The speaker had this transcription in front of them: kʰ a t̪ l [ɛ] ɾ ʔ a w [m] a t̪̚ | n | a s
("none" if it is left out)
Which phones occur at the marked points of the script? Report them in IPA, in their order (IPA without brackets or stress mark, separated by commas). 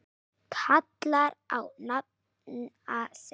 a, n